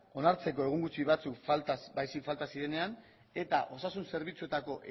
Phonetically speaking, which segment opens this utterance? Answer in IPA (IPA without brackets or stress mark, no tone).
o̞